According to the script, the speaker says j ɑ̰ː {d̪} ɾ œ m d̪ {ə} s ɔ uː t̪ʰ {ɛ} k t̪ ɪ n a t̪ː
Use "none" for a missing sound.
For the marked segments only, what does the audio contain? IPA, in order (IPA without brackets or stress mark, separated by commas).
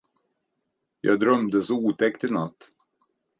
d̪, ə, ɛ